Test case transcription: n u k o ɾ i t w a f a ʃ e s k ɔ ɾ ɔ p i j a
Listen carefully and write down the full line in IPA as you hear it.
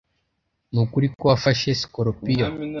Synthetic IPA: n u k u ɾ i k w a f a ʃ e s k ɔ ɾ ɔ p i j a